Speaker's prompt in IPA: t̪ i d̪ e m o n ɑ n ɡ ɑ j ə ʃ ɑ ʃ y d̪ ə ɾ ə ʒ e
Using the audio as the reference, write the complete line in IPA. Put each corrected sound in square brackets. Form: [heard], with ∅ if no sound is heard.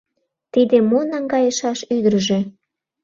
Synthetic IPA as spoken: t̪ i d̪ e m o n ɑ [ŋ] ɡ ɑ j ə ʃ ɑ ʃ y d̪ ə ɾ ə ʒ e